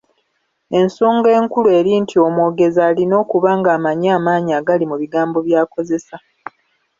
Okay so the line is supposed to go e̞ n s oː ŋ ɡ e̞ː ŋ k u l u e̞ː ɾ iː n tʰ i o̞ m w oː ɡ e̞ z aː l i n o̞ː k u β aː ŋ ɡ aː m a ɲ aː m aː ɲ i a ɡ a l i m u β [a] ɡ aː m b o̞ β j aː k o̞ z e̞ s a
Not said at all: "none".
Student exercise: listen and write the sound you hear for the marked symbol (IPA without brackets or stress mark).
i